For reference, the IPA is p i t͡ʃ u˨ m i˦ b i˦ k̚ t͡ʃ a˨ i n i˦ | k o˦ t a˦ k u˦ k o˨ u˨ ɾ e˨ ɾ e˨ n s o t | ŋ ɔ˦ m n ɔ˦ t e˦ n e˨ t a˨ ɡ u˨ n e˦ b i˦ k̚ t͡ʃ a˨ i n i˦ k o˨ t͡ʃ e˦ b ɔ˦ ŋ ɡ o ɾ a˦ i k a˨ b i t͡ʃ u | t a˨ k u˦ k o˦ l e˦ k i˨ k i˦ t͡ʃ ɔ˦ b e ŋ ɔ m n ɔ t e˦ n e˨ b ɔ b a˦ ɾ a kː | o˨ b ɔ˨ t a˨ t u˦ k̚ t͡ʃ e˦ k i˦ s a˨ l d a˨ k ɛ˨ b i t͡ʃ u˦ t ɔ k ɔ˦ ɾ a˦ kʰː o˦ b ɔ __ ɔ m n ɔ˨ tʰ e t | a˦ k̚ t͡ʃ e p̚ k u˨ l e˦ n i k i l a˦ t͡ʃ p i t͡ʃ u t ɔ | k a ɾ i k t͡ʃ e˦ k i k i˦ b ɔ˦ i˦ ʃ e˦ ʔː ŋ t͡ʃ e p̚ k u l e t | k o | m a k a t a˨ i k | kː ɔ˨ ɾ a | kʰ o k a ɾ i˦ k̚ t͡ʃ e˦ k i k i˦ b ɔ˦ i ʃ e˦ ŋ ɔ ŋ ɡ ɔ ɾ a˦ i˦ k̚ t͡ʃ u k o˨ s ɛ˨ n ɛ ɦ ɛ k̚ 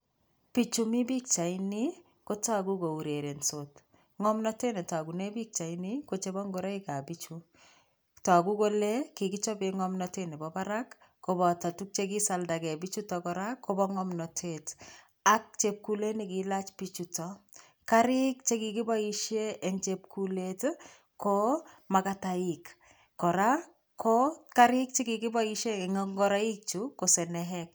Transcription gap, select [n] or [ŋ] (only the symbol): ŋ